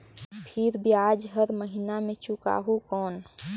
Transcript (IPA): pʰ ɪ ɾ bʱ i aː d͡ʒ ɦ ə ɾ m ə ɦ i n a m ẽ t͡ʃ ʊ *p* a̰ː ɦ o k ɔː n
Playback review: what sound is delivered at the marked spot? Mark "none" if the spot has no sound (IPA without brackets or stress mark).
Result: k